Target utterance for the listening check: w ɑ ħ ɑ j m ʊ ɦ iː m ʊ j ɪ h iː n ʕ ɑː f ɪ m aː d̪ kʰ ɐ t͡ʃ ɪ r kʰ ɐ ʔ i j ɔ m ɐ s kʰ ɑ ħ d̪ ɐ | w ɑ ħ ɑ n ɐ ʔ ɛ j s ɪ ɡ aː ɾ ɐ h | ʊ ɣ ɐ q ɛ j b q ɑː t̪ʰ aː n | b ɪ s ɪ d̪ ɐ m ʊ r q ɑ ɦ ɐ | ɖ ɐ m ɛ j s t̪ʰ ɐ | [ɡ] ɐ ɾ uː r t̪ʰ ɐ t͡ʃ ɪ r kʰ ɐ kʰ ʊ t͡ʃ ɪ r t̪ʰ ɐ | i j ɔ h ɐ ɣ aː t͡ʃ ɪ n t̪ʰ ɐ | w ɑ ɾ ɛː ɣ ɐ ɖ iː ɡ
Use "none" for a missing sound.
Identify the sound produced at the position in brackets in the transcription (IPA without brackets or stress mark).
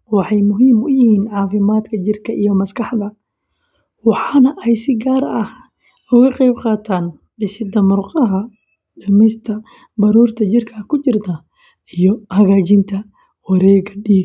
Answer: b